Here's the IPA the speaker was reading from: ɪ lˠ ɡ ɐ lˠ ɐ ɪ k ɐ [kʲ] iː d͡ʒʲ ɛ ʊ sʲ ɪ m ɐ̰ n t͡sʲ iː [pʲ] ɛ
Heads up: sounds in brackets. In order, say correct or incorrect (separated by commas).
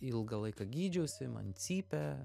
incorrect, correct